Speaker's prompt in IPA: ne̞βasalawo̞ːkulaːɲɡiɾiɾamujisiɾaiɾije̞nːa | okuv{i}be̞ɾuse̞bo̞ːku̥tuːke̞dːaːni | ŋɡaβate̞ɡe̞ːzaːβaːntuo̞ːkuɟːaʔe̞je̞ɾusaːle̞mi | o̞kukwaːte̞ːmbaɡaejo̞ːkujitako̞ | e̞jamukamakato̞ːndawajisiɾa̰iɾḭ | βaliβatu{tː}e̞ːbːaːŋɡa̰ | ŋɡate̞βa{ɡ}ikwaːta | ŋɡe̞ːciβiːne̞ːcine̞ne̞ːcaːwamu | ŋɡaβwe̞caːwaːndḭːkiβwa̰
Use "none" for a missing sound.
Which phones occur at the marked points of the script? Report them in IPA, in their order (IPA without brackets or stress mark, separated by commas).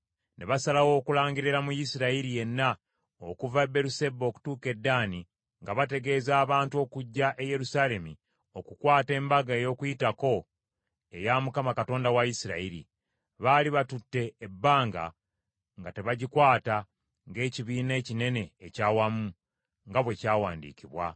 a, tː, ɟ